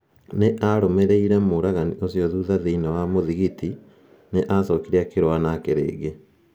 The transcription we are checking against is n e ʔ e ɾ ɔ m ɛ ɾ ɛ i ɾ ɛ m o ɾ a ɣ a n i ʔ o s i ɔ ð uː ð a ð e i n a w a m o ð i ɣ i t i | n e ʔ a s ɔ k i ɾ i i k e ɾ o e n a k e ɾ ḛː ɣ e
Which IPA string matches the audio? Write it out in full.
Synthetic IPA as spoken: n e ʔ a ɾ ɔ m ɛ ɾ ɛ i ɾ ɛ m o ɾ a ɣ a n i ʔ o s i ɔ ð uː ð a ð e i n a w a m o ð i ɣ i t i | n e ʔ a s ɔ k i ɾ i a k e ɾ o a n a k e ɾ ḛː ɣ e